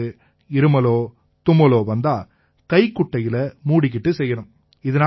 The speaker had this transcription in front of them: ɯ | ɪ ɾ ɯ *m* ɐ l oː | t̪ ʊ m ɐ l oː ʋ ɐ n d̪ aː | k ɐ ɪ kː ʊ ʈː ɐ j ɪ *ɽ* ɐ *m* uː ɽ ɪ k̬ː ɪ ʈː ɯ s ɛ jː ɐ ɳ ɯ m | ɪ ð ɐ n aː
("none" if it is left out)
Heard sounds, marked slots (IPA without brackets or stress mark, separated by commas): m, l, m